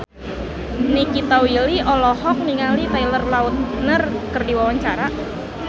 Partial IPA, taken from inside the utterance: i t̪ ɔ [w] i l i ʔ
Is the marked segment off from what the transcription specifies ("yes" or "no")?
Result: no